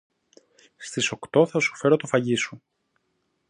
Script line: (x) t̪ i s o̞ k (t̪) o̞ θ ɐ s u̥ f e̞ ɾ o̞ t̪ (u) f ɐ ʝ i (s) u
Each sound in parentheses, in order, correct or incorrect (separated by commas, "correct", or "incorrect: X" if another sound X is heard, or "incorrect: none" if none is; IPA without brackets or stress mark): incorrect: s, correct, incorrect: o, correct